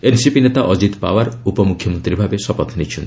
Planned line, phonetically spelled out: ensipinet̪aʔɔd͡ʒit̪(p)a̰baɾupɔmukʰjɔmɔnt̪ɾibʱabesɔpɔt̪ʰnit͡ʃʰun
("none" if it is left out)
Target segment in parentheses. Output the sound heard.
p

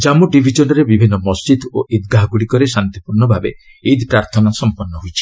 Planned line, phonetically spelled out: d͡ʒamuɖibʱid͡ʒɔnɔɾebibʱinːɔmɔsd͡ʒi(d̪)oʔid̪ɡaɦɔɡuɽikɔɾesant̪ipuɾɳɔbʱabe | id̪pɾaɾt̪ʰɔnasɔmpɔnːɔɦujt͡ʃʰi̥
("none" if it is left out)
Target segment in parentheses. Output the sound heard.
d̪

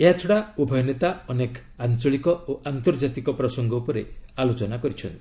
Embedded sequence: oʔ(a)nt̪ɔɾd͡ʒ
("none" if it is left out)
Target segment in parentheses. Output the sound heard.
a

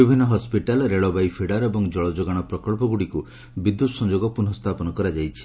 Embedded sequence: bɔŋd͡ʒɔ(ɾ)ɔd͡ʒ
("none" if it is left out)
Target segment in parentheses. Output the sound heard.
ɭ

